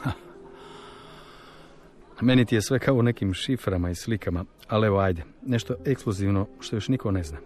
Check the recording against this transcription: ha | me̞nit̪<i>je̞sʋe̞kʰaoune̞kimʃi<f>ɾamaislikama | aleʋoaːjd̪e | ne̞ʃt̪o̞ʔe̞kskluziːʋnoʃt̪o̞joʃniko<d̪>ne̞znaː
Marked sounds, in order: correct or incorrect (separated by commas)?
correct, correct, incorrect